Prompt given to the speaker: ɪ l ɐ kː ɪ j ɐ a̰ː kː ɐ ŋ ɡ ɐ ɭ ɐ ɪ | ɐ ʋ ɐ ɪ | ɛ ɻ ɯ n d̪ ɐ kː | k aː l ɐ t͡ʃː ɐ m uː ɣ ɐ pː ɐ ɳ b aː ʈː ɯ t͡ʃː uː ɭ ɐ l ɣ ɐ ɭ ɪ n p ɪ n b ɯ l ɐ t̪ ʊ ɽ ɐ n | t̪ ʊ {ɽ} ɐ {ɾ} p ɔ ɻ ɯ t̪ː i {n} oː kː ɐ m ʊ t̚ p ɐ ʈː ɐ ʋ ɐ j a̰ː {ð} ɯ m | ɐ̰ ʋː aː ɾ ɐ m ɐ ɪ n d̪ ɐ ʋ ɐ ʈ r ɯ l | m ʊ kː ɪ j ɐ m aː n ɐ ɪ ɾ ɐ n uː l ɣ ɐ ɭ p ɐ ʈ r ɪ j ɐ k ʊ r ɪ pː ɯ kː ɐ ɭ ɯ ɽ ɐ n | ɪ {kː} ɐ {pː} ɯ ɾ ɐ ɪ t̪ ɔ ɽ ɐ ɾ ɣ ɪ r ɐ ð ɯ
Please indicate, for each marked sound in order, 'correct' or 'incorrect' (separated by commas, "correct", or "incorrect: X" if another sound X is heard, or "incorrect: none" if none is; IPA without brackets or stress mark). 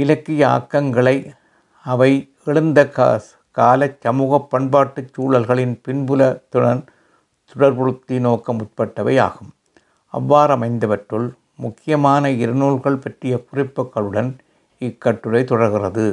correct, correct, correct, incorrect: ɣ, correct, incorrect: ʈː